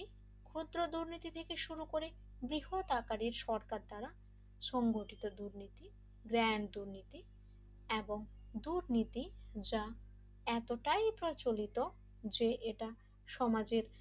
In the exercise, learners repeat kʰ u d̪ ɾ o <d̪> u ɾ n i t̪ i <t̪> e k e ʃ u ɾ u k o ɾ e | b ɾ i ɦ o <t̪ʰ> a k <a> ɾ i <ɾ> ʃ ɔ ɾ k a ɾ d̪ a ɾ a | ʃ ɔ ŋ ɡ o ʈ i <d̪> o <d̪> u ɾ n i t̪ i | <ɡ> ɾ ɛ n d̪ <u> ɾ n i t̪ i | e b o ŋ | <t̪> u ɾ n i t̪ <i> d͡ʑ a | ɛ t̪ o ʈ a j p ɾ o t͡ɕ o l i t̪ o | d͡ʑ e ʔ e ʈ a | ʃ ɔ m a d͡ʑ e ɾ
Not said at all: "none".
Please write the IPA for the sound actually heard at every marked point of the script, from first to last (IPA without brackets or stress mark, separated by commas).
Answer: d̪, t̪ʰ, t̪, a, ɾ, t̪, d̪, ɡ, u, d̪, i